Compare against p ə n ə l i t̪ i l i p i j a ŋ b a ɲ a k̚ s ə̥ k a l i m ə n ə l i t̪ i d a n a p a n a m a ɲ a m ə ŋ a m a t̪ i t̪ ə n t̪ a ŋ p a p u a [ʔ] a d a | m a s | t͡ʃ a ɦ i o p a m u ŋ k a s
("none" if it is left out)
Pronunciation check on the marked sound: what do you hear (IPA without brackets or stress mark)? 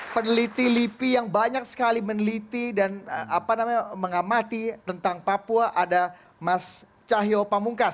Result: ʔ